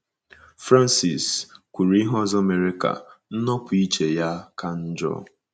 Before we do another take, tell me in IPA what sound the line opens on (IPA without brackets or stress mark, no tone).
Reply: f